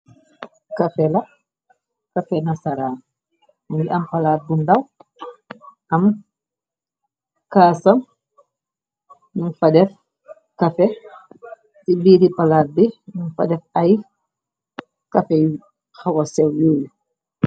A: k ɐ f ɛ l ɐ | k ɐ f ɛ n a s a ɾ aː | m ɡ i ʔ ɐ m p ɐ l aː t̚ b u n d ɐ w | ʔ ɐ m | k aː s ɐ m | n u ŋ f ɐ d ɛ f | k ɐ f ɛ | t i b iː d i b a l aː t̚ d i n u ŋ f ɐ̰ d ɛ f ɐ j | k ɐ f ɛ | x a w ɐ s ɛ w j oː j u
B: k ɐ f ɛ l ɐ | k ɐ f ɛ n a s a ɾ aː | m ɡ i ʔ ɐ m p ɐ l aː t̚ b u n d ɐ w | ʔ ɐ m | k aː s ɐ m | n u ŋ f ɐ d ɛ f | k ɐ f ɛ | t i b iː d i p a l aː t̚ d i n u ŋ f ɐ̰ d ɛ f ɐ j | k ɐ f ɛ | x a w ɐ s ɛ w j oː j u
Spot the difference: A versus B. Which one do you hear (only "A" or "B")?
B